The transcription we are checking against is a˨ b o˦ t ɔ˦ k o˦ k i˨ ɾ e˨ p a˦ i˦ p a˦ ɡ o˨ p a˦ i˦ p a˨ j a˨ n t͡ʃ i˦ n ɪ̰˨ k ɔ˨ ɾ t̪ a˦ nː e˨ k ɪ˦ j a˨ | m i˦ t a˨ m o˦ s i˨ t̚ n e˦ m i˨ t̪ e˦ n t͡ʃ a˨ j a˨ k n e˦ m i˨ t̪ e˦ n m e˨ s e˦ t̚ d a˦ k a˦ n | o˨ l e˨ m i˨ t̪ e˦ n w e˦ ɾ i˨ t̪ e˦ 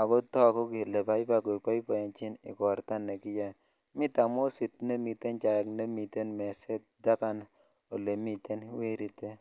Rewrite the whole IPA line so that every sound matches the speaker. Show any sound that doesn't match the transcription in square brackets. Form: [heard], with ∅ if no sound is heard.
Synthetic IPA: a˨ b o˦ t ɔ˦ k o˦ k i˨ [l] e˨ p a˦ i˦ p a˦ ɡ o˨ p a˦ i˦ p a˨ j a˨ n t͡ʃ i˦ n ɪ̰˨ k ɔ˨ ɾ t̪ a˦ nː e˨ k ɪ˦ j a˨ | m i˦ t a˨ m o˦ s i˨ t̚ n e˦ m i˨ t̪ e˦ n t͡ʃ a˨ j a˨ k n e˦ m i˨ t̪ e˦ n m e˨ s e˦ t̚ d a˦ k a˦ n | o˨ l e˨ m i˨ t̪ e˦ n w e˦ ɾ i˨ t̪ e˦